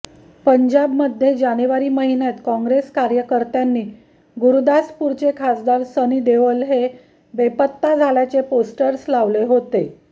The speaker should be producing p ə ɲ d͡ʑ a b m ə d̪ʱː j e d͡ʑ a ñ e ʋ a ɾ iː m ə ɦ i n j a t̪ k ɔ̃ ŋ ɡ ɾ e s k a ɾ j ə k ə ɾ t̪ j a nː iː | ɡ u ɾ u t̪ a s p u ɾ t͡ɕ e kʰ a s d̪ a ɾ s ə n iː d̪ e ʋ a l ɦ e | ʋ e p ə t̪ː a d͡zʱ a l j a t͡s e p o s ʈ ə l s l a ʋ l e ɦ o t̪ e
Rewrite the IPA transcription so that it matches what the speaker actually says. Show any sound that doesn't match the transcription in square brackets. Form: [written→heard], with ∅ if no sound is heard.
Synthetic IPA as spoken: p ə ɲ d͡ʑ a b m ə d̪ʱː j e d͡ʑ a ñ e ʋ a ɾ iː m ə ɦ i n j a t̪ k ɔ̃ ŋ ɡ ɾ e s k a ɾ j ə k ə ɾ t̪ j a nː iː | ɡ u ɾ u [t̪→d̪] a s p u ɾ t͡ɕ e kʰ a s d̪ a ɾ s ə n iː d̪ e ʋ [a→ə] l ɦ e | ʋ e p ə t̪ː a d͡zʱ a l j a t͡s e p o s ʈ ə [l→ɾ] s l a ʋ l e ɦ o t̪ e